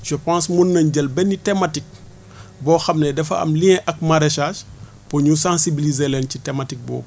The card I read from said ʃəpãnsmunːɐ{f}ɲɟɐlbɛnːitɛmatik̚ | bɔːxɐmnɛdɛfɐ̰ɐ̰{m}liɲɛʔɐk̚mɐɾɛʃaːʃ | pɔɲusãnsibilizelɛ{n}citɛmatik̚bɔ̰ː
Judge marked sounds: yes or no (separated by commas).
no, yes, yes